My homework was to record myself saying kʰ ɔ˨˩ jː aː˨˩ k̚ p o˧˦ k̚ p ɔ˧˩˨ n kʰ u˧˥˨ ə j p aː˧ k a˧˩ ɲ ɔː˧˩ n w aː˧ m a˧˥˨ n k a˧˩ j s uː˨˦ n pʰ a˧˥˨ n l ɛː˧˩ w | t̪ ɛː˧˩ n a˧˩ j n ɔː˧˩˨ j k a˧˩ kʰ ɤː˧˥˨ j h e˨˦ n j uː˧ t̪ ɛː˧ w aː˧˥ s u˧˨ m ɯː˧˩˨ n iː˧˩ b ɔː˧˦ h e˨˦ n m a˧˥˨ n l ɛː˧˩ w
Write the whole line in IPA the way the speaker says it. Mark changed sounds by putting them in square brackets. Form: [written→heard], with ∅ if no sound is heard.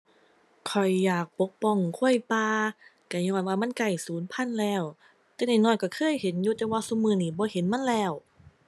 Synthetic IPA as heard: kʰ ɔ˨˩ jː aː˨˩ k̚ p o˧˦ k̚ p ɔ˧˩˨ [n→ŋ] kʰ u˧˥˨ ə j p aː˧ k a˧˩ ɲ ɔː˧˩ n w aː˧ m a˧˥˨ n k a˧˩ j s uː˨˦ n pʰ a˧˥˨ n l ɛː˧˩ w | t̪ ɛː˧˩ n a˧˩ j n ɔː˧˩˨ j k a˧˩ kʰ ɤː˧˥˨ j h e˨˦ n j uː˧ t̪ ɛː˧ w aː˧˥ s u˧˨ m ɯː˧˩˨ n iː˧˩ b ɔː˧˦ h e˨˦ n m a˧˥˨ n l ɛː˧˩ w